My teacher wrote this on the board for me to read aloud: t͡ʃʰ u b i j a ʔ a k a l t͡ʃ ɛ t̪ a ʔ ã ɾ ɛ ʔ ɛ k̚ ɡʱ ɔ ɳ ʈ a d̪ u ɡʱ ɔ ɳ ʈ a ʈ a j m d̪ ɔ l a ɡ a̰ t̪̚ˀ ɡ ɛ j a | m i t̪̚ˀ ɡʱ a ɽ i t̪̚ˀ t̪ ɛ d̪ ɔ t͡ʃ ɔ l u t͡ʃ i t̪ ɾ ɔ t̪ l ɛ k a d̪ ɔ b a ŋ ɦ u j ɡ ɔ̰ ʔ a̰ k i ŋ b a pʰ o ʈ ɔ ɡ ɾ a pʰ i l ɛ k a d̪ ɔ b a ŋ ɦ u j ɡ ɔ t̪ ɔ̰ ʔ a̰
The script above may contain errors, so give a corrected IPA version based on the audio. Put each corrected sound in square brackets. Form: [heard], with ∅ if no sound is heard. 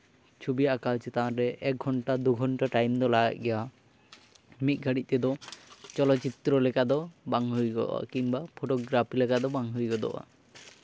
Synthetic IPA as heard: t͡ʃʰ u b i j a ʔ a k a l t͡ʃ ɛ t̪ a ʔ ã ɾ ɛ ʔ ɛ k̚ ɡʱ ɔ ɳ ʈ a d̪ u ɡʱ ɔ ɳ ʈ a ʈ a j m d̪ ɔ l a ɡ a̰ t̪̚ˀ ɡ ɛ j a | m i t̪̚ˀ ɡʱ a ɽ i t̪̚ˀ t̪ ɛ d̪ ɔ t͡ʃ ɔ l [ɔ] t͡ʃ i t̪ ɾ ɔ [∅] l ɛ k a d̪ ɔ b a ŋ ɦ u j ɡ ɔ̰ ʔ a̰ k i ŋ b a pʰ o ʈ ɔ ɡ ɾ a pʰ i l ɛ k a d̪ ɔ b a ŋ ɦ u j ɡ ɔ [d̪] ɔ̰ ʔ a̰

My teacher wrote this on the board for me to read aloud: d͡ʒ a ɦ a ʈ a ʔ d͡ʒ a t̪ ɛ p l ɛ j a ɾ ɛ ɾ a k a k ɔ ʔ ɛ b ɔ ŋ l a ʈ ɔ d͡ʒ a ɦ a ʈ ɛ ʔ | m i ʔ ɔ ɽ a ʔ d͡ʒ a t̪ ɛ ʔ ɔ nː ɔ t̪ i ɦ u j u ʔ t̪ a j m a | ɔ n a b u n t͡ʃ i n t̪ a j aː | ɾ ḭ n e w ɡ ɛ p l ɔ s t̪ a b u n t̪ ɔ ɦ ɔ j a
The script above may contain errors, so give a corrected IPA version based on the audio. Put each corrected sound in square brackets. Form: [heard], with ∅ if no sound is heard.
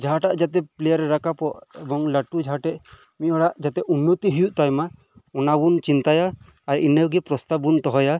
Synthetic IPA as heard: d͡ʒ a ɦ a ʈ a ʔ d͡ʒ a t̪ ɛ p l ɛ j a ɾ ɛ ɾ a k a [p] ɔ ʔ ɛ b ɔ ŋ l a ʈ [u] d͡ʒ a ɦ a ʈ ɛ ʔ | m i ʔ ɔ ɽ a ʔ d͡ʒ a t̪ ɛ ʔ [u] nː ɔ t̪ i ɦ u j u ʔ t̪ a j m a | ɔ n a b u n t͡ʃ i n t̪ a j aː | ɾ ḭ n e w ɡ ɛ p [ɾ] ɔ s t̪ a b u n t̪ ɔ ɦ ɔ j a

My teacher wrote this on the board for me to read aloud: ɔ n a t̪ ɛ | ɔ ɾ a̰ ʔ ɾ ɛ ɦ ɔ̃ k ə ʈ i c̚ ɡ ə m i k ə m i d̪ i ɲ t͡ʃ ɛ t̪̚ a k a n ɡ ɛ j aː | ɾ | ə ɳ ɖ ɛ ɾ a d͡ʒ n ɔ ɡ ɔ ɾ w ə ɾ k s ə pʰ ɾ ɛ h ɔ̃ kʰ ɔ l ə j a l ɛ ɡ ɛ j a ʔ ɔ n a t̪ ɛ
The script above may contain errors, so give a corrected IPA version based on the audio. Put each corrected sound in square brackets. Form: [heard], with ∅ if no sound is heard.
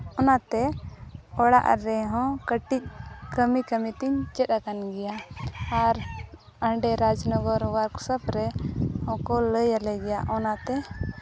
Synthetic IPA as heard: ɔ n a t̪ ɛ | ɔ [ɽ] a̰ ʔ ɾ ɛ ɦ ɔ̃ k ə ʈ i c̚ [k] ə m i k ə m i [t̪] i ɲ t͡ʃ ɛ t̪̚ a k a n ɡ ɛ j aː | ɾ | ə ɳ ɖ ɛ ɾ a d͡ʒ n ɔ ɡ ɔ ɾ w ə ɾ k s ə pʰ ɾ ɛ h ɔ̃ [k] ɔ l ə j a l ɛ ɡ ɛ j a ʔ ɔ n a t̪ ɛ

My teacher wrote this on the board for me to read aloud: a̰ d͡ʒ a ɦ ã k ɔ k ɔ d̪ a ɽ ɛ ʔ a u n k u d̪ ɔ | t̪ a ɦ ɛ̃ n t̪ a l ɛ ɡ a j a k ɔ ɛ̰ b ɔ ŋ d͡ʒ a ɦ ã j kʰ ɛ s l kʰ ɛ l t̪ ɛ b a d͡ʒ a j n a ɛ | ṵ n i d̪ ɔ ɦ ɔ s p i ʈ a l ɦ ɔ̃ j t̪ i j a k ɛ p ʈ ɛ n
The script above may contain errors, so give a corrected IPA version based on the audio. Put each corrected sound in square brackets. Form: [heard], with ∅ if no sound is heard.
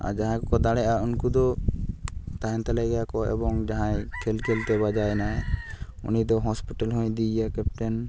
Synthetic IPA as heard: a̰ d͡ʒ a ɦ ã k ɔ k ɔ d̪ a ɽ ɛ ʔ a u n k u d̪ ɔ | t̪ a ɦ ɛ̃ n t̪ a l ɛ ɡ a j a k ɔ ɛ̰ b ɔ ŋ d͡ʒ a ɦ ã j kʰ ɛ [∅] l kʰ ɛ l t̪ ɛ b a d͡ʒ a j n a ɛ | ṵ n i d̪ ɔ ɦ ɔ s p i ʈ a l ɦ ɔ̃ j [d̪] i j a k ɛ p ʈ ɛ n

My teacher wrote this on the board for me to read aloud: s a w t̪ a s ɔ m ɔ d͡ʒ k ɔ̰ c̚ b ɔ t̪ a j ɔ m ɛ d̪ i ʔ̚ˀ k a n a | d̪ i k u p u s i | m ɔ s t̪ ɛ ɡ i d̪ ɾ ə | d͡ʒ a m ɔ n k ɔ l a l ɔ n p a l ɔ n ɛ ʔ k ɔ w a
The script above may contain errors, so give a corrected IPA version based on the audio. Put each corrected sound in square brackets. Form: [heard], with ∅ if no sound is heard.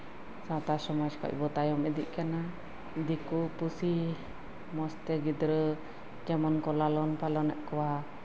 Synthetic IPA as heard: s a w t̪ a s ɔ m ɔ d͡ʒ k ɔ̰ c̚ b ɔ t̪ a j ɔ m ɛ d̪ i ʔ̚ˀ k a n a | d̪ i k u p u s i | m ɔ s t̪ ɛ ɡ i d̪ ɾ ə | d͡ʒ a m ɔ n k ɔ l a l ɔ n p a l ɔ n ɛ ʔ k ɔ w a

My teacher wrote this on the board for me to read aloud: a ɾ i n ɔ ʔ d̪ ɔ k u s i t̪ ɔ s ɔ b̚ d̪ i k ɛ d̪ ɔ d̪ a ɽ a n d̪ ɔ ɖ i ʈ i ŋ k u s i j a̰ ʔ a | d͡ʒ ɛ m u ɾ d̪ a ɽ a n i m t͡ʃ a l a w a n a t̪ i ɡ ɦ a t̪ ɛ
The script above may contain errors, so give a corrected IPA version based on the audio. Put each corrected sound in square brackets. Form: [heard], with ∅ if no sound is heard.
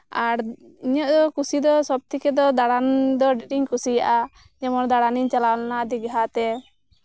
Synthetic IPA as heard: a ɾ i [ɲ] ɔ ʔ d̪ ɔ k u s i [d̪] ɔ s ɔ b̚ [t̪] i k ɛ d̪ ɔ d̪ a ɽ a n d̪ ɔ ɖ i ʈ i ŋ k u s i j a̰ ʔ a | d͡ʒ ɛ m [ɔ] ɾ d̪ a ɽ a n i [ɲ] t͡ʃ a l a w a n a [d̪] i ɡ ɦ a t̪ ɛ

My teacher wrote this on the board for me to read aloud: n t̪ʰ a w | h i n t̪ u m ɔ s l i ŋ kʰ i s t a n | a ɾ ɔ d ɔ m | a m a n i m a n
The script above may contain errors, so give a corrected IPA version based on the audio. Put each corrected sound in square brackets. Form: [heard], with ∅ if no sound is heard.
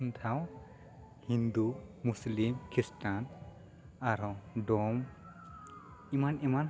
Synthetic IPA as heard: n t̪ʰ a w | h i n [d̪] u m [u] s l i [m] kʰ i s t a n | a ɾ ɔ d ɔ m | [i] m a n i m a n

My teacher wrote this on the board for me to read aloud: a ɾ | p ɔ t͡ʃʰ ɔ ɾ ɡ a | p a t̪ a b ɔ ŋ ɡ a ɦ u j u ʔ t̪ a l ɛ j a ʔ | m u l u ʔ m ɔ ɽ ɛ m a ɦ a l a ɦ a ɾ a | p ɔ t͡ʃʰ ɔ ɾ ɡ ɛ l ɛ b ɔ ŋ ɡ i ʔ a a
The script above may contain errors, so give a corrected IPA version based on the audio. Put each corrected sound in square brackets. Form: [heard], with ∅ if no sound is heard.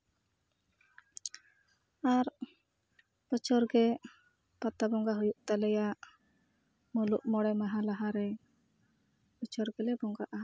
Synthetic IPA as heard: a ɾ | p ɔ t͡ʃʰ ɔ ɾ ɡ [ɛ] | p a t̪ a b ɔ ŋ ɡ a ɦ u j u ʔ t̪ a l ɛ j a ʔ | m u l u ʔ m ɔ ɽ ɛ m a ɦ a l a ɦ a ɾ [ɛ] | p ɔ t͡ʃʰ ɔ ɾ ɡ ɛ l ɛ b ɔ ŋ ɡ [a] ʔ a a

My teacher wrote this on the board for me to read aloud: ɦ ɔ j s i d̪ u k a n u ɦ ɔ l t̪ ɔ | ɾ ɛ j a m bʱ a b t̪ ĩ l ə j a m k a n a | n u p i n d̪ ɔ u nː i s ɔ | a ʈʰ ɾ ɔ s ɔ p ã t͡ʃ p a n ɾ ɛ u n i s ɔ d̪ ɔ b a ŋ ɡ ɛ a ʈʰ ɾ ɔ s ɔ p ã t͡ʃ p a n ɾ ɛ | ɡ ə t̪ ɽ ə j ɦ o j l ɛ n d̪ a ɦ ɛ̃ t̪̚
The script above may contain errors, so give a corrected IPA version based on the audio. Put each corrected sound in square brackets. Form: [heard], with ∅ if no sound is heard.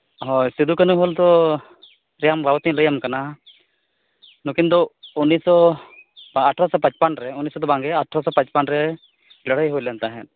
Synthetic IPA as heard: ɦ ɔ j s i d̪ u k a n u ɦ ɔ l t̪ ɔ | ɾ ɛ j a m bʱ a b t̪ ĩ l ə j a m k a n a | n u [k] i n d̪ ɔ u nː i s ɔ | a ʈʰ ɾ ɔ s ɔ p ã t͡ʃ p a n ɾ ɛ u n i s ɔ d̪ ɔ b a ŋ ɡ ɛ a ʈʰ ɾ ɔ s ɔ p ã t͡ʃ p a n ɾ ɛ | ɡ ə [∅] ɽ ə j ɦ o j l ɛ n [t̪] a ɦ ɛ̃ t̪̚

